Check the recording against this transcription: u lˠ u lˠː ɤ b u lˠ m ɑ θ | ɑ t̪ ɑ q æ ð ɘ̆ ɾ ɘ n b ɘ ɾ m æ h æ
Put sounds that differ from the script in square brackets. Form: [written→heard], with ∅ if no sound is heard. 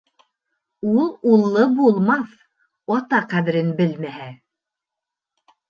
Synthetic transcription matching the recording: u lˠ u lˠː ɤ b u lˠ m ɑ θ | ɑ t̪ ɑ q æ ð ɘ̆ ɾ ɘ n b ɘ [ɾ→l] m æ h æ